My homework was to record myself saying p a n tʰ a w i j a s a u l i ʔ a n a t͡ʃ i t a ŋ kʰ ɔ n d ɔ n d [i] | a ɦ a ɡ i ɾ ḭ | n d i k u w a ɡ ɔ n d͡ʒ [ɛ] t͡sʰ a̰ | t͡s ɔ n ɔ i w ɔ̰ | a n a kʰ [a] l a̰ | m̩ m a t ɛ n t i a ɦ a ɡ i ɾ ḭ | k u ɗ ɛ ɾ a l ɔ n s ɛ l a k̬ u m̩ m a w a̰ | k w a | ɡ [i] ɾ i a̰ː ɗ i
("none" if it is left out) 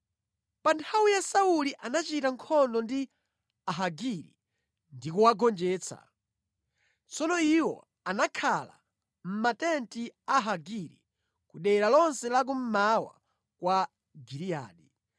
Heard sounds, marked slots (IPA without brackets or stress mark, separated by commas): i, ɛː, a, i